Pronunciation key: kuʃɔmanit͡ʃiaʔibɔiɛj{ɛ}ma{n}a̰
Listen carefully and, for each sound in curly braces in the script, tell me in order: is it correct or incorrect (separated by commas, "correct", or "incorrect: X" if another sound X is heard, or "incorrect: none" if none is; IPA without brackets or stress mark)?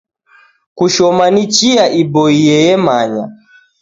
correct, incorrect: ɲ